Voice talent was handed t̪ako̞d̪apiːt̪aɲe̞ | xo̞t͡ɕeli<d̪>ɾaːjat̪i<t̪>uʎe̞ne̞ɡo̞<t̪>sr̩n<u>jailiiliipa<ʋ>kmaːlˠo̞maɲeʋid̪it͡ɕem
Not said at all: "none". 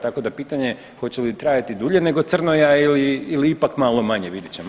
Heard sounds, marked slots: t̪, d̪, t̪, o, none

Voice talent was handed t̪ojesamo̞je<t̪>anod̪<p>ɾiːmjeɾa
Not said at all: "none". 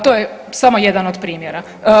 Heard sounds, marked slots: d̪, p

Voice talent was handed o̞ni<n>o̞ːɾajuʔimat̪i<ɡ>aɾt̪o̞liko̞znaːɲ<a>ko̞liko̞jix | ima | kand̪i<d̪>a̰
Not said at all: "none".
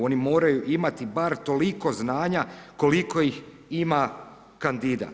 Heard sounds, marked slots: m, b, a, d̪

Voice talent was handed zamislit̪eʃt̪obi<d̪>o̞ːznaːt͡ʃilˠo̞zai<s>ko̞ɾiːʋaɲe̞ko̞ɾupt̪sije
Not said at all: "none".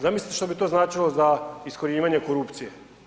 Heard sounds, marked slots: t̪, s

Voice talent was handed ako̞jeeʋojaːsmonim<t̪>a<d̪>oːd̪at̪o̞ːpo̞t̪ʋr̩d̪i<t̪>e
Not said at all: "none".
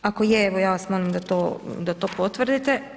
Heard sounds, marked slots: d̪, t̪, t̪

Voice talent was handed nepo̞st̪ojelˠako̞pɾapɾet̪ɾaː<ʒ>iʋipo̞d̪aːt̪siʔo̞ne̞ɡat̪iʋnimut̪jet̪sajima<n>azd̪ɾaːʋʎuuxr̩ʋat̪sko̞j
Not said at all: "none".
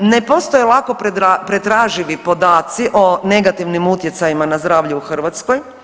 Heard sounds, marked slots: ʒ, n

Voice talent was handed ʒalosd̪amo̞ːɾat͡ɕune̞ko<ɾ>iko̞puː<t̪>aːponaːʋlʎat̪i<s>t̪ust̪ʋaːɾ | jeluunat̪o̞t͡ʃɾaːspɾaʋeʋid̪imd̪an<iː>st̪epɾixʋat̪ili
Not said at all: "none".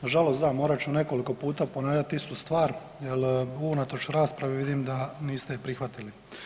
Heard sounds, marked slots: l, t̪, s, iː

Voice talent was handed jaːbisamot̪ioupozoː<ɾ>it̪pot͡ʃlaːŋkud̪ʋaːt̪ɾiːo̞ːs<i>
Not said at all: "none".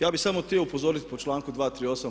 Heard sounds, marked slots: ɾ, a

